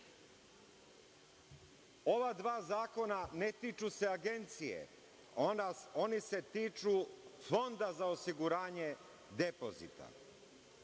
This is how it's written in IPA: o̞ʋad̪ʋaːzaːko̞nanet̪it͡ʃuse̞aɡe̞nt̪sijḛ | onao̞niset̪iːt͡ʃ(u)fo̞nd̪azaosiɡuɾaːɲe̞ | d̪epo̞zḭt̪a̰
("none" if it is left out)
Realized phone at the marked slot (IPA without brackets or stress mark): u